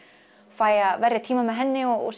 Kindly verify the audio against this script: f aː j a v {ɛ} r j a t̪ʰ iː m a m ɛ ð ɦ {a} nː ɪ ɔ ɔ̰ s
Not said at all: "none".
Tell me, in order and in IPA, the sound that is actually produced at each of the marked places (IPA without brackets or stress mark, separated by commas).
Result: ɛ, ɛ